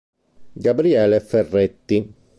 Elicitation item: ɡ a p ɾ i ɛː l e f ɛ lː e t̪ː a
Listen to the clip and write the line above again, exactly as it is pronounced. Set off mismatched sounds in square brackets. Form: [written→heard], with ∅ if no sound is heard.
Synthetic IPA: ɡ a [p→b] ɾ i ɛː l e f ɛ [lː→rː] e t̪ː [a→i]